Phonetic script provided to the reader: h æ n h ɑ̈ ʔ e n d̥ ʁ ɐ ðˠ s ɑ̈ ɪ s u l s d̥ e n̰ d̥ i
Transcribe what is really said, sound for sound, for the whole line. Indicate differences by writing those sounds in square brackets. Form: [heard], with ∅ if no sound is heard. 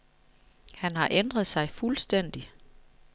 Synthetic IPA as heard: h æ n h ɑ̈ ʔ e n d̥ ʁ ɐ ðˠ s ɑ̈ ɪ [f] u l s d̥ e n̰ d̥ i